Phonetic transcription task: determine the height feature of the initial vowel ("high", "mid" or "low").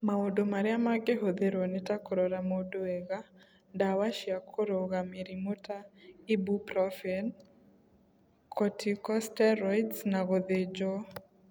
low